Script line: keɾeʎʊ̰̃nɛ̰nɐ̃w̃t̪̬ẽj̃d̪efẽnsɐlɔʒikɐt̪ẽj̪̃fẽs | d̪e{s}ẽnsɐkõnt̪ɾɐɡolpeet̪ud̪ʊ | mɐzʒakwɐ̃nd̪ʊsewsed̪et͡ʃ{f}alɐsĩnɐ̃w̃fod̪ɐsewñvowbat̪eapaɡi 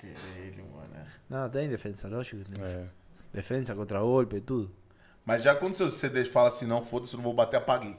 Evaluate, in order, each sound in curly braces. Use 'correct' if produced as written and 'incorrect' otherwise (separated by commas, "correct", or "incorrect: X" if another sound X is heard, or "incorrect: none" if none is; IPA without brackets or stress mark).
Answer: incorrect: f, correct